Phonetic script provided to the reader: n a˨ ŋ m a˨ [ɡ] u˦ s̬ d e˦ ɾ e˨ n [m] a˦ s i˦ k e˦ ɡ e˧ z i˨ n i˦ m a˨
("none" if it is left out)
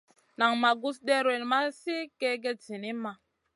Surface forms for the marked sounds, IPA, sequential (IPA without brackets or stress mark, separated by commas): ɡ, m